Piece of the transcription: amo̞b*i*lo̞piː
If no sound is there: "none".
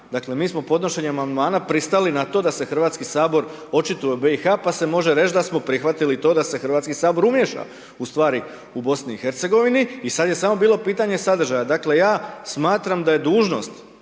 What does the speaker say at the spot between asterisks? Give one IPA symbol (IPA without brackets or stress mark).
iː